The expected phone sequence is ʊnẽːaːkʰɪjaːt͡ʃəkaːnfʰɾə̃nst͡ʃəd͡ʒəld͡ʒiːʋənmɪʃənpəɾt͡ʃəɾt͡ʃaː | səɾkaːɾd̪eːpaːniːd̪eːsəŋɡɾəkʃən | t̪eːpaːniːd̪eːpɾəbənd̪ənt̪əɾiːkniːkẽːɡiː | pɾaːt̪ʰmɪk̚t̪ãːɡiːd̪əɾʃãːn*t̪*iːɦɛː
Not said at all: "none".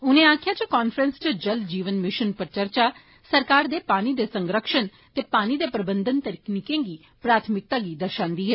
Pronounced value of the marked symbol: d̪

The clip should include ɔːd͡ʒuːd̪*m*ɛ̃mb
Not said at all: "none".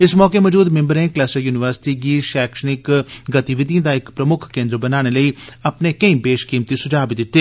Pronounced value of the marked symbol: m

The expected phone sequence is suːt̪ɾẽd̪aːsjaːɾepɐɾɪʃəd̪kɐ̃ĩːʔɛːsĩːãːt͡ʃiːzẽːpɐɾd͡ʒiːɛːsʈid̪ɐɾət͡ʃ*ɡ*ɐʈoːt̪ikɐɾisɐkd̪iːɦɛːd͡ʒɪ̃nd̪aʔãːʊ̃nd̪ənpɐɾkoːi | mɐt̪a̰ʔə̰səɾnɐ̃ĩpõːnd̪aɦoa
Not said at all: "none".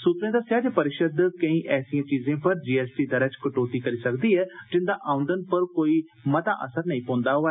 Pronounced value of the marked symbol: k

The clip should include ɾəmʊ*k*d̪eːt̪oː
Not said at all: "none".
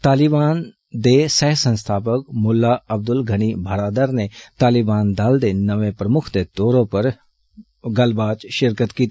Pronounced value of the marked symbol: kʰ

